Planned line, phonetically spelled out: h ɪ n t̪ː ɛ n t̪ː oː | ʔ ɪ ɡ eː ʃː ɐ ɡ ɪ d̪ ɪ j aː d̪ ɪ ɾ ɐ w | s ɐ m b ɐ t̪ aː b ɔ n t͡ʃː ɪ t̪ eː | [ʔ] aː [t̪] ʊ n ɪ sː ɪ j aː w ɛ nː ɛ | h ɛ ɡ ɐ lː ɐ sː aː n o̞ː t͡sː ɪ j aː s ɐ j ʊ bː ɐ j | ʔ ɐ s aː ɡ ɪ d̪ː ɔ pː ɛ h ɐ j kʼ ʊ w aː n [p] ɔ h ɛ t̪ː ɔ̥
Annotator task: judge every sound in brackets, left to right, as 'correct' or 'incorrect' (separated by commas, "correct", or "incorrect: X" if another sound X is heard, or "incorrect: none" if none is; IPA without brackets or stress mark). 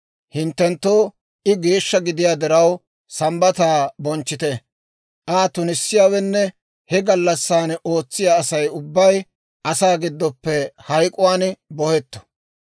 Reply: correct, correct, incorrect: b